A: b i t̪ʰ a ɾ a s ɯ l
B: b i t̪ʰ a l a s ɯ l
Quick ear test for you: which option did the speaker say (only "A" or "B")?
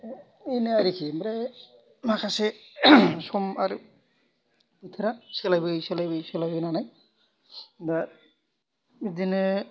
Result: A